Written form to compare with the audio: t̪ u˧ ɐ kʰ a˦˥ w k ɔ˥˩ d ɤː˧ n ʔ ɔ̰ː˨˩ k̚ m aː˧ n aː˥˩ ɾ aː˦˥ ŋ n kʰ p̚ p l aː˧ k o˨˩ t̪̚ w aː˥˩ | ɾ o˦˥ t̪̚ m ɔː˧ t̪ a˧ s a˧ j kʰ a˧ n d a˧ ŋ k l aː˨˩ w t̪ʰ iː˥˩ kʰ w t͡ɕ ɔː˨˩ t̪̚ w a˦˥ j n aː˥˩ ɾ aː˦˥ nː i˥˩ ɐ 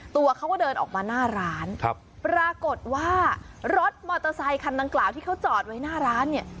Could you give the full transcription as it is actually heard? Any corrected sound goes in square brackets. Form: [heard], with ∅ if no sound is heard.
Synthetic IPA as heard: t̪ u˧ ɐ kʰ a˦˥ w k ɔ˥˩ d ɤː˧ n ʔ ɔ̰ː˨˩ k̚ m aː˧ n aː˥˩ ɾ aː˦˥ [∅] n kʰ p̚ p [ɾ] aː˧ k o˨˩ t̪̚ w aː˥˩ | ɾ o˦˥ t̪̚ m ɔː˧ t̪ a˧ s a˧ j kʰ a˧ n d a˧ ŋ k l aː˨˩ w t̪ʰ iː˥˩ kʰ w t͡ɕ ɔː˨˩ t̪̚ w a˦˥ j n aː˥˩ ɾ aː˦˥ nː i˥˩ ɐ